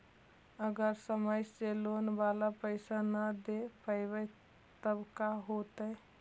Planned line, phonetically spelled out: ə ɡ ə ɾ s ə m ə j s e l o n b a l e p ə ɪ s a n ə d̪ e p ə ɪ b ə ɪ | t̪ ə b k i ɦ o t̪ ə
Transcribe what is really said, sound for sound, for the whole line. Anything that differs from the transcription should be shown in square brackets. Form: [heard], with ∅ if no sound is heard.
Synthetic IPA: ə ɡ ə ɾ s ə m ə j s e l o n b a l [a] p ə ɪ s a n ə d̪ e p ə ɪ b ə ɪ | t̪ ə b k [a] ɦ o t̪ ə